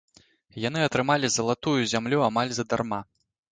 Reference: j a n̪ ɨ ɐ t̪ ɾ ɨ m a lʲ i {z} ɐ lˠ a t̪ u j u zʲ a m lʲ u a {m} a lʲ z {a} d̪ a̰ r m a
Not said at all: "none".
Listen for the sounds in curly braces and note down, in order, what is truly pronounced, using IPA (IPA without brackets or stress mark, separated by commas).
z, m, ɐ